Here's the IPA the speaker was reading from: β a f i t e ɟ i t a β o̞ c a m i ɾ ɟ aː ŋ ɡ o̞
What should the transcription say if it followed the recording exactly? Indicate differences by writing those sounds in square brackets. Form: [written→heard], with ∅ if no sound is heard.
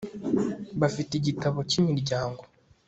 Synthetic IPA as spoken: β a f i t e ɟ i t a β o̞ c [a→i] m i ɾ ɟ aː ŋ ɡ o̞